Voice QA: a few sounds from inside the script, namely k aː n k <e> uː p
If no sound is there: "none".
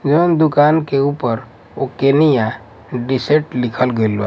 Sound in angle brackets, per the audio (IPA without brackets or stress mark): e